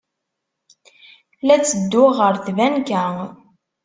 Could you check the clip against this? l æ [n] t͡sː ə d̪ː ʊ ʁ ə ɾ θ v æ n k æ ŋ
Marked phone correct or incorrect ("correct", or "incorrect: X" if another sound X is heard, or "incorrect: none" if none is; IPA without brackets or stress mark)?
incorrect: none